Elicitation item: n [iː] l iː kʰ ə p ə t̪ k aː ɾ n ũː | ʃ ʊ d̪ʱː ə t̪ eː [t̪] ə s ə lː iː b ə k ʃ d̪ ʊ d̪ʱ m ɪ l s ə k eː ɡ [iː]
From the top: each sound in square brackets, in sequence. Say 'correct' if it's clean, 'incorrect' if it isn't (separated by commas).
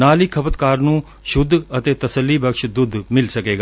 incorrect, correct, incorrect